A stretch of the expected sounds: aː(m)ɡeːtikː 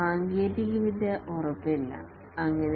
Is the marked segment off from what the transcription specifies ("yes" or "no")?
yes